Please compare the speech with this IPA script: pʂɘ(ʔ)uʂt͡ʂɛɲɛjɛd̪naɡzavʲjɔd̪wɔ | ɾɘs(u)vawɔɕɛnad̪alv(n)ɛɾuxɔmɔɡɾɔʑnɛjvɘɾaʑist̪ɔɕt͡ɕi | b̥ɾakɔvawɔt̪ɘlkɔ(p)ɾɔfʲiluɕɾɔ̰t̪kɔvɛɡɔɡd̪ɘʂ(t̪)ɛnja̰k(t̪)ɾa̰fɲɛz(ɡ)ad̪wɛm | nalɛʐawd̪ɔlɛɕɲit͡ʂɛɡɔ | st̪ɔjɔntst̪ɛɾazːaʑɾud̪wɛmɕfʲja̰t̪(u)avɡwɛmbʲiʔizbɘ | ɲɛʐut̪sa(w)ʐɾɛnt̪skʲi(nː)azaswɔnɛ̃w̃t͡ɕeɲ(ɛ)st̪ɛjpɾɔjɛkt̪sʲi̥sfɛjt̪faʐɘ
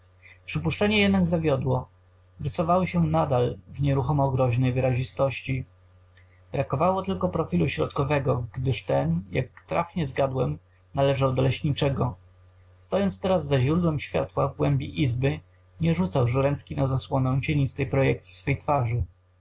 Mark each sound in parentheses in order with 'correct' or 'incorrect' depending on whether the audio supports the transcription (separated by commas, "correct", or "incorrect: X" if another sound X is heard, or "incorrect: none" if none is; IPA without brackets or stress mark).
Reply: incorrect: p, incorrect: ɔ, incorrect: ɲ, correct, correct, correct, correct, incorrect: w, correct, incorrect: n, incorrect: i